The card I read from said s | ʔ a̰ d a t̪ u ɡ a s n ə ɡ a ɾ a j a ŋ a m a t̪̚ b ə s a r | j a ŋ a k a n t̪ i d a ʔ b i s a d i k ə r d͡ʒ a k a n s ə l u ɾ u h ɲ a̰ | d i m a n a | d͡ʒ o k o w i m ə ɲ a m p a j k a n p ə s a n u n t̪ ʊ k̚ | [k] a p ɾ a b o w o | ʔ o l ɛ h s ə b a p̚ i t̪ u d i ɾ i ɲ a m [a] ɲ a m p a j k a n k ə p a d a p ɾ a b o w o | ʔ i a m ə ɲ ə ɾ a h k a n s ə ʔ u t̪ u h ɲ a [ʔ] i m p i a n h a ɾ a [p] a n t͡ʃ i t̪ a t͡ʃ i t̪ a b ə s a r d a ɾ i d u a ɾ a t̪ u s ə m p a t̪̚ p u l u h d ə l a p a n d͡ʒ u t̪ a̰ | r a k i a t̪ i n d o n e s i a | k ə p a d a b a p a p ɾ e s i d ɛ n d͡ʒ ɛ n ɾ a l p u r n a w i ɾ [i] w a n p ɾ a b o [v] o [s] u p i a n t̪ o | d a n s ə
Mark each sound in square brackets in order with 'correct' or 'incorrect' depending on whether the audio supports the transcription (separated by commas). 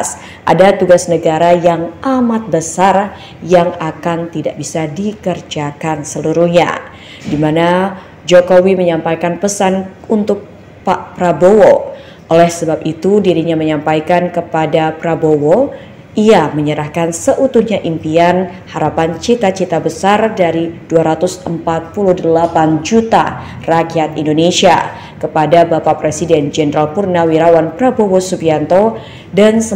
incorrect, incorrect, correct, correct, incorrect, incorrect, correct